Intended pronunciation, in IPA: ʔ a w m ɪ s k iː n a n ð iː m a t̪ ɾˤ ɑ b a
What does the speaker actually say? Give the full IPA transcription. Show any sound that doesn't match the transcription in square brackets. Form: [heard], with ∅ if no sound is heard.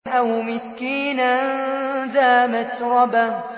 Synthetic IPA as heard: ʔ a w m ɪ s k iː n a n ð [aː] m a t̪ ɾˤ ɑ b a